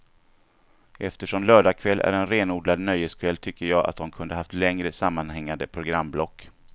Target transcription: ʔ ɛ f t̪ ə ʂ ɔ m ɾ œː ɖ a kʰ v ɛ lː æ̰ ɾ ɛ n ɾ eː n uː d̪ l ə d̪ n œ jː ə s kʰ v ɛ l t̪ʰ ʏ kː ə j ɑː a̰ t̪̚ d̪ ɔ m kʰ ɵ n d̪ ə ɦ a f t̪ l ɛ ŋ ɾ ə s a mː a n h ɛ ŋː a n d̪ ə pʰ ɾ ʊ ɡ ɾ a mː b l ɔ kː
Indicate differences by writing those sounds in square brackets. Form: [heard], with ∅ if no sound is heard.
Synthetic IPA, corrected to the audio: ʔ ɛ f t̪ ə ʂ ɔ m [l] œː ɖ a kʰ v ɛ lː æ̰ ɾ ɛ n ɾ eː n uː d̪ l [a] d̪ n œ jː ə s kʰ v ɛ l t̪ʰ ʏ kː ə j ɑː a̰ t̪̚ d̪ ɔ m kʰ ɵ n d̪ ə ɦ a f t̪ l ɛ ŋ ɾ ə s a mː a n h ɛ ŋː a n d̪ ə pʰ ɾ ʊ ɡ ɾ a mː b l ɔ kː